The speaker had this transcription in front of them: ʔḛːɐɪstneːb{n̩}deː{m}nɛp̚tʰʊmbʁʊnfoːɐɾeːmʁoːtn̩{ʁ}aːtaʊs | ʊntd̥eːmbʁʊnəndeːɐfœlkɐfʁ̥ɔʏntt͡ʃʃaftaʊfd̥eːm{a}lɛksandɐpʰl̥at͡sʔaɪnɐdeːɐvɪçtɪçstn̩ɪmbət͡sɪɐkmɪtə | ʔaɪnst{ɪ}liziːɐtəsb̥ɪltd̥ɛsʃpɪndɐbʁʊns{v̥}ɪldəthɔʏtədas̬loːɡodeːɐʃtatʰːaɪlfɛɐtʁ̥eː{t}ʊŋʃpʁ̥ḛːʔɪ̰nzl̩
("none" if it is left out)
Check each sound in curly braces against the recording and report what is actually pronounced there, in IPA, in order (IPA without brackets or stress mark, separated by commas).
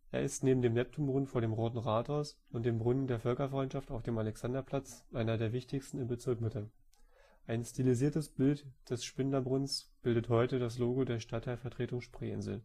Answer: m̩, m, ʁ, a, i, b̥, t